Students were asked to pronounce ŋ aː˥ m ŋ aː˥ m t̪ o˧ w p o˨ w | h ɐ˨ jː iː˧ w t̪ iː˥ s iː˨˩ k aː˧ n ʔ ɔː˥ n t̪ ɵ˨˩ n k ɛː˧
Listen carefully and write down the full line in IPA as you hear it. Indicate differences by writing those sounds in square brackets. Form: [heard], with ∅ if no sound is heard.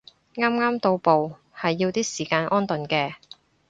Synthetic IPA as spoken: ŋ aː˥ m ŋ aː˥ m t̪ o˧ w p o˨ w | h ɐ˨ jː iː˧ w t̪ iː˥ s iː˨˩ k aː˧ n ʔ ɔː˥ n t̪ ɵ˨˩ n k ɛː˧